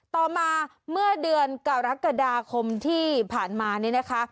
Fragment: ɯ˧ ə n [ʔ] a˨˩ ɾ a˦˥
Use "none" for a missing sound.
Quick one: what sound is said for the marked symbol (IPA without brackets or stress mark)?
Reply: k